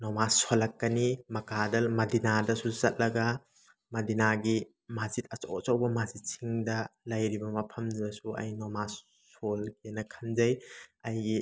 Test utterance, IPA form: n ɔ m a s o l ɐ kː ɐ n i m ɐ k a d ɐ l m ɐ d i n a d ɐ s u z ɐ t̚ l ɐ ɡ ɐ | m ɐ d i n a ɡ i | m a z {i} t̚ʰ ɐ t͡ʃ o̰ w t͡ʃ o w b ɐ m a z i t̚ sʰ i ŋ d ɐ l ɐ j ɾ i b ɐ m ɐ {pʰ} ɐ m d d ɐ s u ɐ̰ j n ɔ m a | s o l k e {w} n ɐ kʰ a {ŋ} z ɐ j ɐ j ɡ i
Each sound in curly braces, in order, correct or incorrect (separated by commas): correct, correct, incorrect, incorrect